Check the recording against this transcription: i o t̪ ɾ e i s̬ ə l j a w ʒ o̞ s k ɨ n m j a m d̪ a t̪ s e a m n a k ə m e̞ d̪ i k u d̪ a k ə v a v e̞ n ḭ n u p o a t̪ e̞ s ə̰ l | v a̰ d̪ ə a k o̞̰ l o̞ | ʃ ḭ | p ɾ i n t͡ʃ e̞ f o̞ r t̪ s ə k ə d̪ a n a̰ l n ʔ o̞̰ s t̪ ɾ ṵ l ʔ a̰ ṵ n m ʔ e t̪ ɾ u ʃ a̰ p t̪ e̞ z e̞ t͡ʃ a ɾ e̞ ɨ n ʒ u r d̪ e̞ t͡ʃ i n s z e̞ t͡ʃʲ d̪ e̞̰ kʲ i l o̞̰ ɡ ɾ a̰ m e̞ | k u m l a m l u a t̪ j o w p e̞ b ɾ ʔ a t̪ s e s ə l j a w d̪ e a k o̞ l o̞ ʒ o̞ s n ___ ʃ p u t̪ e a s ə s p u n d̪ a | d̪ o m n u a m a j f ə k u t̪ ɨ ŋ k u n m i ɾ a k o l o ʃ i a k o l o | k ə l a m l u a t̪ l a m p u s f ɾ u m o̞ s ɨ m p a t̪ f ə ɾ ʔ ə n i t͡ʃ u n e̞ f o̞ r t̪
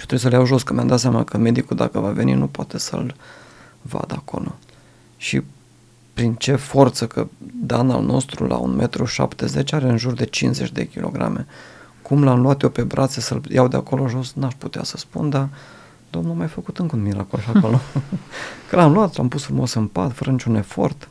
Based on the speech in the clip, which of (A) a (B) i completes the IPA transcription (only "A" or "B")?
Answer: A